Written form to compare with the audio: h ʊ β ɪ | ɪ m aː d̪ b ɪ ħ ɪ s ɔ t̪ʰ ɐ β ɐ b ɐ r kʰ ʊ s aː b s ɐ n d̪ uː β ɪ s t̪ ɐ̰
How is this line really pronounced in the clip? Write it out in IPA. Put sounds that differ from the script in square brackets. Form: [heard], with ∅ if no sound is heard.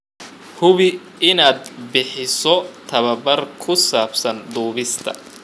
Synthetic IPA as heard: h ʊ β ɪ | ɪ [n] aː d̪ b ɪ ħ ɪ s ɔ t̪ʰ ɐ β ɐ b ɐ r kʰ ʊ s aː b s ɐ n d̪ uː β ɪ s [t̪ʰ] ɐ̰